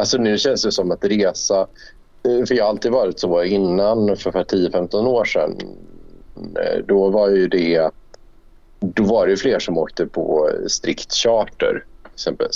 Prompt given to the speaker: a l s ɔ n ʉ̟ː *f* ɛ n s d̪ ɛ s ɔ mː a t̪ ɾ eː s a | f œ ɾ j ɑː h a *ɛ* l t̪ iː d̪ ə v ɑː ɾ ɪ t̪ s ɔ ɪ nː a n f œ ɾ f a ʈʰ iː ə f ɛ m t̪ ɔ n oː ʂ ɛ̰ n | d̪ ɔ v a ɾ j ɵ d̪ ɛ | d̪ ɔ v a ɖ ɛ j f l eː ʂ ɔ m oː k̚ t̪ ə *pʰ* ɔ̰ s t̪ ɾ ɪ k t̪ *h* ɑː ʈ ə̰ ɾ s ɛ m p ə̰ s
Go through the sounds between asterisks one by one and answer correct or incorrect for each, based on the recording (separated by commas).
incorrect, incorrect, correct, incorrect